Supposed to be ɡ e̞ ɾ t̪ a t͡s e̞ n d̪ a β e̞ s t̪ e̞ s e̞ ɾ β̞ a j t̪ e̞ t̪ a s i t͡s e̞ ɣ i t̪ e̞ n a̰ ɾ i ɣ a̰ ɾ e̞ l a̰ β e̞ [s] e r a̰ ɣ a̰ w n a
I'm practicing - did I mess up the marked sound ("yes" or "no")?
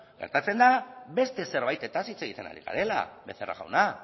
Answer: yes